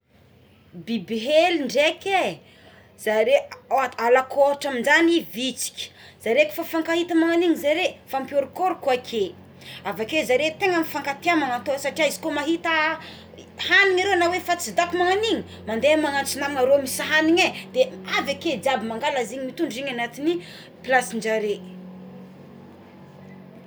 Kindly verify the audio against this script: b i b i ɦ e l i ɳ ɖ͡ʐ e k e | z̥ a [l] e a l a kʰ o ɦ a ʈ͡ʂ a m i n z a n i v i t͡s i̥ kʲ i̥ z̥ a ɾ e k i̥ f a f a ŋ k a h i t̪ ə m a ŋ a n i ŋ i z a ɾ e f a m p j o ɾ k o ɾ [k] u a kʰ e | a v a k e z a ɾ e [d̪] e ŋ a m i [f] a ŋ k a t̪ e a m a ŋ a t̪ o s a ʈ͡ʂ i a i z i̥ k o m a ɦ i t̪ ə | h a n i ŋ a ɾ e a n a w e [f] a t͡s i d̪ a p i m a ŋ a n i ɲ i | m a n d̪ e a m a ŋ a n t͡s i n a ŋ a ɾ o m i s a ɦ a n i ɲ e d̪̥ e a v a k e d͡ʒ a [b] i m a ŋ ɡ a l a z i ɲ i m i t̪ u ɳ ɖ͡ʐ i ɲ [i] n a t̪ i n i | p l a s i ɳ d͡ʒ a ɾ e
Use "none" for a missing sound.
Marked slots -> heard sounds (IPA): ɾ, k, t̪, f, f, b, a

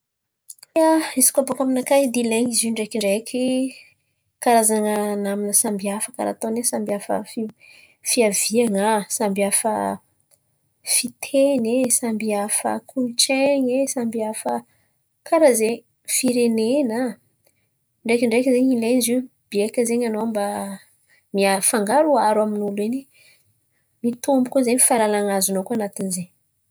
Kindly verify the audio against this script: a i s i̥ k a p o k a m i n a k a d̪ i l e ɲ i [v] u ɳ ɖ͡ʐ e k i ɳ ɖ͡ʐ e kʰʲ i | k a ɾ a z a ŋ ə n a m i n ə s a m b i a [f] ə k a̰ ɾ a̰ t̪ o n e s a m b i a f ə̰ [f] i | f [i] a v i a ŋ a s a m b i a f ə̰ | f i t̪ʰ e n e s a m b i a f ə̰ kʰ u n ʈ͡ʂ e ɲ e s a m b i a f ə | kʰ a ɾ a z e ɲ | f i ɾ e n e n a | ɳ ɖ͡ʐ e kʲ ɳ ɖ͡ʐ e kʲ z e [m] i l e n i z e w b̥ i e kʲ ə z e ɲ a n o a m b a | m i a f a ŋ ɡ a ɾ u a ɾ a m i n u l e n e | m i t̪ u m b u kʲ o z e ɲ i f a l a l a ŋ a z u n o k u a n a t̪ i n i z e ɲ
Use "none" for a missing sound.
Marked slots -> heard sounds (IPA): z, f, f, i, ɲ

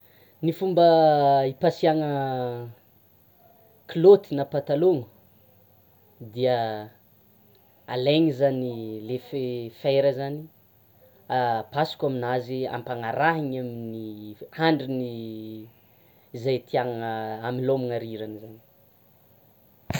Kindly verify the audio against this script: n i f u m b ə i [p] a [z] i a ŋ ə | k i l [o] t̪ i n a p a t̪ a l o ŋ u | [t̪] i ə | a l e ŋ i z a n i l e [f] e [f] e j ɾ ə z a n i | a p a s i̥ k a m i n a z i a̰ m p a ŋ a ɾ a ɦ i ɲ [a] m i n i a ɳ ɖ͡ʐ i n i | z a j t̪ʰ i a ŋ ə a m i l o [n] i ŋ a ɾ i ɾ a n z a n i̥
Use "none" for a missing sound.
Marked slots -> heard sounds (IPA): p, s, o, d̪, f, f, a, m

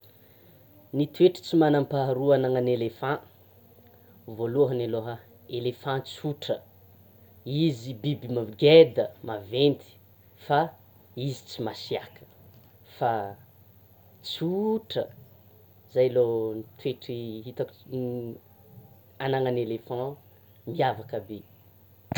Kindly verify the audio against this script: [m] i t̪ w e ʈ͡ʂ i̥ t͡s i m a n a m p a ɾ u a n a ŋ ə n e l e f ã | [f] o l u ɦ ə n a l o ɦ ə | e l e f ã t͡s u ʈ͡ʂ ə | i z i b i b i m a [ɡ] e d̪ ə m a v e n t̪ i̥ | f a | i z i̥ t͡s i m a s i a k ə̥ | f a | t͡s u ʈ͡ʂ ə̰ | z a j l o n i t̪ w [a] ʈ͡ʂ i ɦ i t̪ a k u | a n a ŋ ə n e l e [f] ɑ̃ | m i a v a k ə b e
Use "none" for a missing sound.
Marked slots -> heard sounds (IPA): n, v, ɡ, e, f

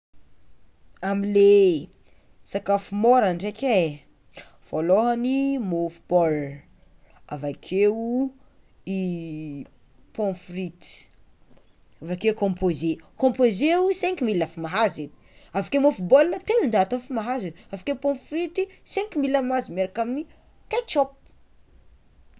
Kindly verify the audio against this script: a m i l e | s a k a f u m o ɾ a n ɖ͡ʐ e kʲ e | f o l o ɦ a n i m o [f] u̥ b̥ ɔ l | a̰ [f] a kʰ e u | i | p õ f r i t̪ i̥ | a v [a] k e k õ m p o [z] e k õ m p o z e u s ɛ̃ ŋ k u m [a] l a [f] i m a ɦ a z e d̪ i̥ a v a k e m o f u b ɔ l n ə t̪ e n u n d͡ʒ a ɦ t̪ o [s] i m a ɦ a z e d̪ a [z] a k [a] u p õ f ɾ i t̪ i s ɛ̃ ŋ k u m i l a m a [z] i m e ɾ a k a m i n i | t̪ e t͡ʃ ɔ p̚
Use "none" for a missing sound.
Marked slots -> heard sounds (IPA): f, v, a, z, i, f, f, v, e, z

